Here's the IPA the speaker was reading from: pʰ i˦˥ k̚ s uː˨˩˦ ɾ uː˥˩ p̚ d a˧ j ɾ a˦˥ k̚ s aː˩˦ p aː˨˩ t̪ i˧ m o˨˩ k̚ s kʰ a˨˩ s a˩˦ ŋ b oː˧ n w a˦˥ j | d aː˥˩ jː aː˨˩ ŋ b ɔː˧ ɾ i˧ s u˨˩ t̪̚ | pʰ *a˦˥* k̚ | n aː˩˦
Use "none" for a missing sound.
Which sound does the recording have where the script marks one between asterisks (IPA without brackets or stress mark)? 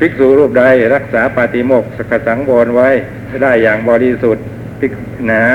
i˦˥